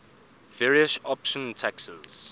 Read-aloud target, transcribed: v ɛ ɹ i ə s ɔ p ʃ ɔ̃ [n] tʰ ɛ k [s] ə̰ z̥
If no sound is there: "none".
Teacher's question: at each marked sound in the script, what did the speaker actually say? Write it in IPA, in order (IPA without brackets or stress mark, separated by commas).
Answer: n, s